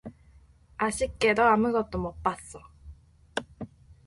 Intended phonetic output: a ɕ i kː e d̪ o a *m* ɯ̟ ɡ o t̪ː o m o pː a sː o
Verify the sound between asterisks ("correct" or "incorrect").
correct